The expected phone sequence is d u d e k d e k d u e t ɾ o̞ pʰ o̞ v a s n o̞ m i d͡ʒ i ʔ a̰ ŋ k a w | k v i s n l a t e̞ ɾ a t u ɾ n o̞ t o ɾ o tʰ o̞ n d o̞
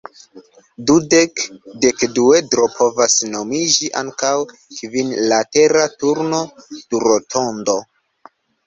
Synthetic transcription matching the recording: d u d e k d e k d u e d ɾ o̞ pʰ o̞ v a s n o̞ m i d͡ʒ i ʔ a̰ ŋ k a w | k v i n l a t e̞ ɾ a t u ɾ n o̞ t u ɾ o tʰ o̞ n d o̞